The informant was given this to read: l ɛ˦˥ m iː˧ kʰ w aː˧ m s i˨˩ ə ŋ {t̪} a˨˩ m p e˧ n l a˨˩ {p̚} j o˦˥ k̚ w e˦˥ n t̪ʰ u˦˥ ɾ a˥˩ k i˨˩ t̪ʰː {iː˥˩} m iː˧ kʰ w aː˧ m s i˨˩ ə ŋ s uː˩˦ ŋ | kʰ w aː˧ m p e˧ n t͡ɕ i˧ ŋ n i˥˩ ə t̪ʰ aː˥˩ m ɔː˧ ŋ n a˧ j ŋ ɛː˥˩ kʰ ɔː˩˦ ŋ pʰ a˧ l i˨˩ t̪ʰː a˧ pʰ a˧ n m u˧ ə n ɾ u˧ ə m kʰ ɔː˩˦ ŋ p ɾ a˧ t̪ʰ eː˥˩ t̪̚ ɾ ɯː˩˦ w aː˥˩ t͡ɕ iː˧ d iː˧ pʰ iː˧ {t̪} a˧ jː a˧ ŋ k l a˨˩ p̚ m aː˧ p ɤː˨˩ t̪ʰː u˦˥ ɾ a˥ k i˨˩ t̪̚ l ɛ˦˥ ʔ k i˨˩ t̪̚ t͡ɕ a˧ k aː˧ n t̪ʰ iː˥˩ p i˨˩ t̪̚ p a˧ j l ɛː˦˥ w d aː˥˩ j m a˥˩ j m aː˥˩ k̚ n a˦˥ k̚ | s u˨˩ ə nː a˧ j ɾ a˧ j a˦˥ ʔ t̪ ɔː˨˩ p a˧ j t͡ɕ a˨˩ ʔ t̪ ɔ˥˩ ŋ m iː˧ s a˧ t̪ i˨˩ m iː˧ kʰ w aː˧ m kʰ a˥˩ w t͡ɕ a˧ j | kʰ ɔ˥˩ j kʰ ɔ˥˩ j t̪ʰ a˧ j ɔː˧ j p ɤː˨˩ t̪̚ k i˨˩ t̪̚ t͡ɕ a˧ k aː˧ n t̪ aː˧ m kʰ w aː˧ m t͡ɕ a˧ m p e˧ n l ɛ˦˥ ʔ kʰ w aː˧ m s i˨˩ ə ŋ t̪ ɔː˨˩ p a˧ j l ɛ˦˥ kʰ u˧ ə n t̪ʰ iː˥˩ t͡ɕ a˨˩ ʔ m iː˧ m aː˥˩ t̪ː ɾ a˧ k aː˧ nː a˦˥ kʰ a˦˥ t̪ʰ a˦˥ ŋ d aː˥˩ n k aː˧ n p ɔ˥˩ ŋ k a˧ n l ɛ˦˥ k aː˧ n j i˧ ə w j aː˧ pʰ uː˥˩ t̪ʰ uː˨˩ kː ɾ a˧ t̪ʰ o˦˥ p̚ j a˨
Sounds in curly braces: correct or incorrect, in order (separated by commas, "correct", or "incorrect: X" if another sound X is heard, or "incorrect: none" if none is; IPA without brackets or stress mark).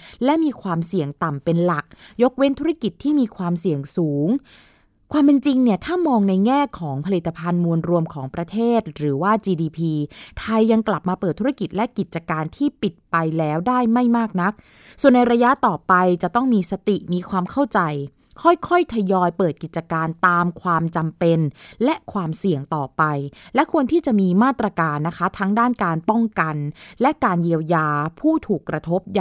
correct, incorrect: k̚, correct, incorrect: t̪ʰ